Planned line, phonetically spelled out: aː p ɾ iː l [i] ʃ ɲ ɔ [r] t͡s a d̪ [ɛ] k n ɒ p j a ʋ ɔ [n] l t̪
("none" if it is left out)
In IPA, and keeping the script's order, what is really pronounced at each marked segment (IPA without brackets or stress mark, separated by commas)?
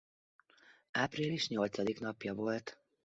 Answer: i, l, i, none